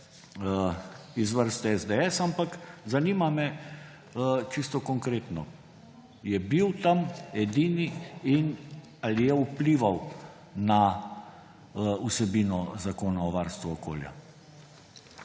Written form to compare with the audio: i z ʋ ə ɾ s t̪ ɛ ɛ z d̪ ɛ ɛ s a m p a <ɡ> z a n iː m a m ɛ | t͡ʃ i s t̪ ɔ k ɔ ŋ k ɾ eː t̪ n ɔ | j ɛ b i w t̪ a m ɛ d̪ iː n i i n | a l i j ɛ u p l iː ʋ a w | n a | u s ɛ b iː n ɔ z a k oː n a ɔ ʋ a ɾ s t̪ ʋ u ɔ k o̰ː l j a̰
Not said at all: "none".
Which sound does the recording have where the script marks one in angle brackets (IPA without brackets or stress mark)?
k